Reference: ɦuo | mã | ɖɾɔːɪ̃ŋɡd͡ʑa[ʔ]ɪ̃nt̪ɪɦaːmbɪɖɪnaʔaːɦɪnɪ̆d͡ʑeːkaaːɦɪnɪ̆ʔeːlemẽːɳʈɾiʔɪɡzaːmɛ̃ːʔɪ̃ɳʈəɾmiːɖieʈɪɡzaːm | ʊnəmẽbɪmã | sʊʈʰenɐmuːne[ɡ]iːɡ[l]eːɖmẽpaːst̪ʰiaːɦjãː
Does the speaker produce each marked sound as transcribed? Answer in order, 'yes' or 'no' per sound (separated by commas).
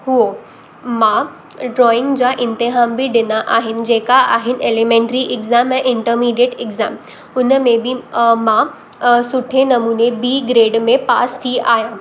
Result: yes, no, no